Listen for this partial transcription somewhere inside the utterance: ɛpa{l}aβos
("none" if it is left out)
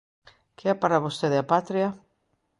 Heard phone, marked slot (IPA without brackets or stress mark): ɾ